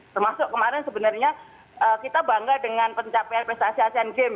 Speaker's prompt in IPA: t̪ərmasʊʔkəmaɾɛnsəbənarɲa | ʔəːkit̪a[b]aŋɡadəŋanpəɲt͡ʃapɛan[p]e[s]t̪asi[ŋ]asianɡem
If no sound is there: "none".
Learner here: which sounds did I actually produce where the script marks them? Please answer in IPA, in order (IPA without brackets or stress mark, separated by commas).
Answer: b, p, s, none